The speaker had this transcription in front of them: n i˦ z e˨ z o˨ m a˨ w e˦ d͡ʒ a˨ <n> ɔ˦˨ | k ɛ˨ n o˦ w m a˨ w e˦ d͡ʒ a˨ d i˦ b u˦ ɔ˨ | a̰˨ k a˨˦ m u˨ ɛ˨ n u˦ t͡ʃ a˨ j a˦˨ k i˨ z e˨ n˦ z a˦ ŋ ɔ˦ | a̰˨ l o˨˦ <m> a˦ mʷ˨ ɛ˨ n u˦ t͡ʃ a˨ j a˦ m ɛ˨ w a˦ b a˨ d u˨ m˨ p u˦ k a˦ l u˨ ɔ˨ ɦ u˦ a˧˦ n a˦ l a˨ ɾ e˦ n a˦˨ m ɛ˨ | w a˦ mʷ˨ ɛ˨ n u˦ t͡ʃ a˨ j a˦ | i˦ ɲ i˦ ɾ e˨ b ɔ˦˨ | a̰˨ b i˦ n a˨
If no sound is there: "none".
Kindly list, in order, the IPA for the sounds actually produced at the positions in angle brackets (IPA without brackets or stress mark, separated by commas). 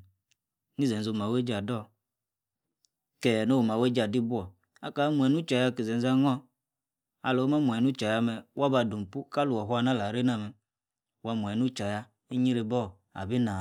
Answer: d, m